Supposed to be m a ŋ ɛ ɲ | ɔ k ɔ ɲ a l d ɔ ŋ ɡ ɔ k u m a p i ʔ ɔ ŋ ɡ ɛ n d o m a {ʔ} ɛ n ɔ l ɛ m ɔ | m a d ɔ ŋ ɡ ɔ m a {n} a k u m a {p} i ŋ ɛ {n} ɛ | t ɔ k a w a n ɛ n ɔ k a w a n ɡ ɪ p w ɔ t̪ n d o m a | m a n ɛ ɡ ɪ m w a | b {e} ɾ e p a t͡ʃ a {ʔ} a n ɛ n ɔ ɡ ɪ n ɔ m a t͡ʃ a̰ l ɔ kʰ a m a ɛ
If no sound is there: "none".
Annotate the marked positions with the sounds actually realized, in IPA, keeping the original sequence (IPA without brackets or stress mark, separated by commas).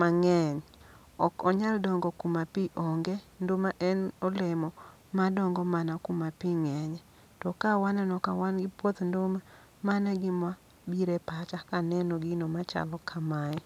ʔ, n, p, ɲ, i, k